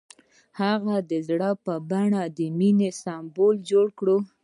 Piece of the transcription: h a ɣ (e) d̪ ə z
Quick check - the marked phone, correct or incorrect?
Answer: incorrect